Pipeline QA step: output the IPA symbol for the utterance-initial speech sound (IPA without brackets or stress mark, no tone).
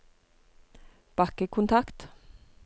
b̥